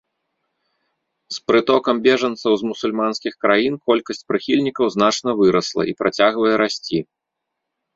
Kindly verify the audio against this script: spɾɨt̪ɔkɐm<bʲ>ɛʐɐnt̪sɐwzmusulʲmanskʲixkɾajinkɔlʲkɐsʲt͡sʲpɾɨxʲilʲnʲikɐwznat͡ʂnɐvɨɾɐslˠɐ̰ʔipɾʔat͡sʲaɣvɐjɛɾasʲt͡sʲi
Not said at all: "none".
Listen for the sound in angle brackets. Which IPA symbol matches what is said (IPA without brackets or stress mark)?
bʲ